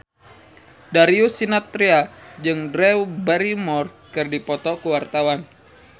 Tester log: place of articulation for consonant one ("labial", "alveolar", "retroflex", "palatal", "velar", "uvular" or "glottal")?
alveolar